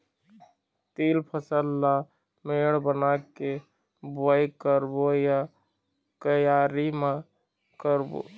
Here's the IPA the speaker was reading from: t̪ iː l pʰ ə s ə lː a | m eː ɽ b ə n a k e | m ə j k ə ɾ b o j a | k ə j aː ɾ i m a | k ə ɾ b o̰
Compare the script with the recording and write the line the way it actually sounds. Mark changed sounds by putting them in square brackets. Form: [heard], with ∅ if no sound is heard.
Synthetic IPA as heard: t̪ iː l pʰ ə s ə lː a | m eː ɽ b ə n a k e | [b] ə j k ə ɾ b o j a | k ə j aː ɾ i m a | k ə ɾ b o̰